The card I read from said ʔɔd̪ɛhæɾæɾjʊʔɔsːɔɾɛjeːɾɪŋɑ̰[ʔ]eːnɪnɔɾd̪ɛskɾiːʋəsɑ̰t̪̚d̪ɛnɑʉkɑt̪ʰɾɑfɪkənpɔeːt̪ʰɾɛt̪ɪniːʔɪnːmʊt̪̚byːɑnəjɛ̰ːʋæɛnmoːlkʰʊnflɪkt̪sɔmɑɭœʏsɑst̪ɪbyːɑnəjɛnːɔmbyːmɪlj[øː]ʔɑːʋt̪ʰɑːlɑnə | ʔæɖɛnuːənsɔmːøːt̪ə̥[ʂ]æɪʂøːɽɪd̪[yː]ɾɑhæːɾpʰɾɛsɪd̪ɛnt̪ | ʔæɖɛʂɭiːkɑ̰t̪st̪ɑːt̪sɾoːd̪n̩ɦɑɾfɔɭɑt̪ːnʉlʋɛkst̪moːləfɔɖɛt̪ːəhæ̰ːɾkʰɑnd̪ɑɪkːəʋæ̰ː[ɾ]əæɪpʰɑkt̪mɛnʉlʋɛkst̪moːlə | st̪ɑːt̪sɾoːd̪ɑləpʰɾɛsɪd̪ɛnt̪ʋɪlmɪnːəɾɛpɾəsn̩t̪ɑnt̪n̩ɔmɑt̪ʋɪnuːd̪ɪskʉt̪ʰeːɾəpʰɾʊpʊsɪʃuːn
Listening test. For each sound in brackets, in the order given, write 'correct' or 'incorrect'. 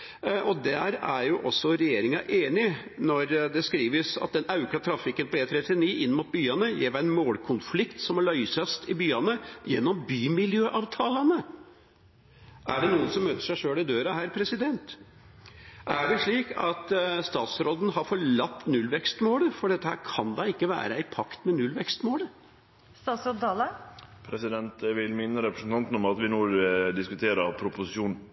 correct, correct, correct, incorrect: øː, correct

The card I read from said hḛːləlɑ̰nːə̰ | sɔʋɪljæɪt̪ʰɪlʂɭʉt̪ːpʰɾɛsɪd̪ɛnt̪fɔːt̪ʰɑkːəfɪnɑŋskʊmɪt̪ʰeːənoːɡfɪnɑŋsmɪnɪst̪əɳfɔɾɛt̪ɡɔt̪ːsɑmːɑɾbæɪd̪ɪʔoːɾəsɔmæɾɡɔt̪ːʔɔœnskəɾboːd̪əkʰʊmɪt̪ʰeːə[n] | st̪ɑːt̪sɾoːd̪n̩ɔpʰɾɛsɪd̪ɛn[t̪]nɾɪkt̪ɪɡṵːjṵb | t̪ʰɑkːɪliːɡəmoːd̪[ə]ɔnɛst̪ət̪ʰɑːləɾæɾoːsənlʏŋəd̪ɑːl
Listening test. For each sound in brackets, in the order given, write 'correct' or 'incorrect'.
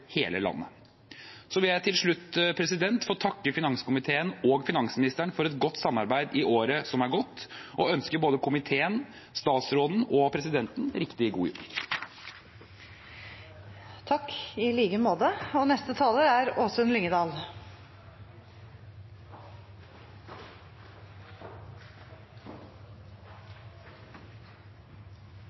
correct, correct, correct

